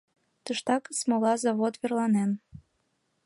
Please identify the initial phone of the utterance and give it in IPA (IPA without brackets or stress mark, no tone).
t̪